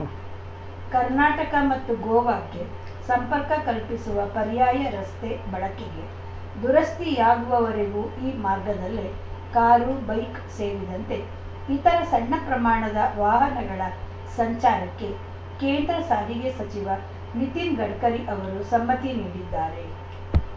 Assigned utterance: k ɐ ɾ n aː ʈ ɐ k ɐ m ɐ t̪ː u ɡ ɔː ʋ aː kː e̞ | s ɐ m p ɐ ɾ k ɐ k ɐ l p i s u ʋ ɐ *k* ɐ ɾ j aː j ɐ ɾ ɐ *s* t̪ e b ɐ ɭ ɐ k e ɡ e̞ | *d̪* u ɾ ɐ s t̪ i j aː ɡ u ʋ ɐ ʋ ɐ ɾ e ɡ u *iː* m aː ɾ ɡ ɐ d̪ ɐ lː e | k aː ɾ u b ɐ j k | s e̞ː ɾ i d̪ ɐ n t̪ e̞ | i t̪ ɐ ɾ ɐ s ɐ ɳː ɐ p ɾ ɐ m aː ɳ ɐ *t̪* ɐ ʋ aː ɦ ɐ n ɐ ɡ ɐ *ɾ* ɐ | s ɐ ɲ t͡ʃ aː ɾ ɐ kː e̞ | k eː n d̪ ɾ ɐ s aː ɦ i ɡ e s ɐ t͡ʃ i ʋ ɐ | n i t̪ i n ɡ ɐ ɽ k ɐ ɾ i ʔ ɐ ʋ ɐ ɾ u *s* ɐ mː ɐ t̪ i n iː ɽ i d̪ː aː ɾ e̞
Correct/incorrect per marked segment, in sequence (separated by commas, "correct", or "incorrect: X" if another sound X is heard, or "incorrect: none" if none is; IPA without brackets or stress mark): incorrect: p, correct, correct, correct, incorrect: d̪, incorrect: ɭ, correct